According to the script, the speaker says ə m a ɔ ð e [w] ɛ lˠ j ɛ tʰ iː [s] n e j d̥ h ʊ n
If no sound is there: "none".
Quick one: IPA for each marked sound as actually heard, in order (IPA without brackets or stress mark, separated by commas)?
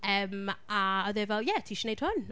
v, ʃ